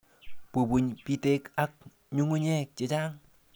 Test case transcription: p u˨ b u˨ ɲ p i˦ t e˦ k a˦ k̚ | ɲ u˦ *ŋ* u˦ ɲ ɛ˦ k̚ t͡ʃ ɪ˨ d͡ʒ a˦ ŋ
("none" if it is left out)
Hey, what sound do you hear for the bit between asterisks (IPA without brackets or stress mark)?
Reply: ŋ